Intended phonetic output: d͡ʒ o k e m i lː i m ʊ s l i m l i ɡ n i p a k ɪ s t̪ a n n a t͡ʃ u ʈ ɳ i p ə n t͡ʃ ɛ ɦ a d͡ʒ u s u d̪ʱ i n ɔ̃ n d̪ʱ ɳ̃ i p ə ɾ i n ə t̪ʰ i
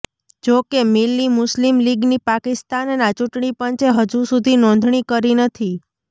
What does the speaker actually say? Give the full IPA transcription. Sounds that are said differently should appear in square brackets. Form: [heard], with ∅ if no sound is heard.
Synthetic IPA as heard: d͡ʒ o k e m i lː i m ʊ s l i m l i ɡ n i p a k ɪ s t̪ a n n a t͡ʃ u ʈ ɳ i p ə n t͡ʃ [e] ɦ [ə] d͡ʒ u s u d̪ʱ i n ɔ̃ n d̪ʱ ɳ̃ i [k] ə ɾ i n ə t̪ʰ i